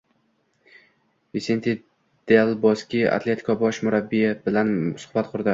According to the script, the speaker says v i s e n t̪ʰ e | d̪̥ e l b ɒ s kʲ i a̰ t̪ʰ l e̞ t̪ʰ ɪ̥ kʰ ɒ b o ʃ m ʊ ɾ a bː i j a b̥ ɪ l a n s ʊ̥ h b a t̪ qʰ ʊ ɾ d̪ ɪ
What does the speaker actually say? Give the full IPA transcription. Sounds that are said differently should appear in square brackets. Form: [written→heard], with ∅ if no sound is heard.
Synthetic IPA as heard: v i s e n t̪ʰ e | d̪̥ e l b ɒ s kʲ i a̰ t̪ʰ l e̞ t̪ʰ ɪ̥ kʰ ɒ b [o→ɒ] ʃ m ʊ ɾ a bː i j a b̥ ɪ l a n s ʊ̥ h b a t̪ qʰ ʊ ɾ d̪ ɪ